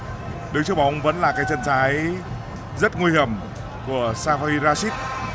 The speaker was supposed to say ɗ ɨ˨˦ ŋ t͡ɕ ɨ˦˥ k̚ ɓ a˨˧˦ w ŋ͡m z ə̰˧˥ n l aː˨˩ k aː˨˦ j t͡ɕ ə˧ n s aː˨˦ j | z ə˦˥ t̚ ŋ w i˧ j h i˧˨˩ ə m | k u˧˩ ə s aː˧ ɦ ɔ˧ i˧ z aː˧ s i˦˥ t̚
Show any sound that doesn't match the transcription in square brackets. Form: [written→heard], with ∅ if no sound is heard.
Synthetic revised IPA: ɗ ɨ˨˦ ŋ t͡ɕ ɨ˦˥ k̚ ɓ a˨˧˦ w ŋ͡m [z→v] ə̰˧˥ n l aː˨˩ k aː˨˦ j t͡ɕ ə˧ n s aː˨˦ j | z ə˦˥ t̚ ŋ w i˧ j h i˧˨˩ ə m | k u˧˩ ə s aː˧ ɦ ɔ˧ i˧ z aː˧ s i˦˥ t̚